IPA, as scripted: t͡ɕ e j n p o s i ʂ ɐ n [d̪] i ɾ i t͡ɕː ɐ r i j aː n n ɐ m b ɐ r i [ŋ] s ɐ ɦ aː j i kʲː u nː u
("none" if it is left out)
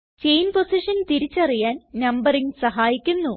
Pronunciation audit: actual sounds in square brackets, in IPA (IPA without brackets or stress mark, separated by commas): t̪, ŋ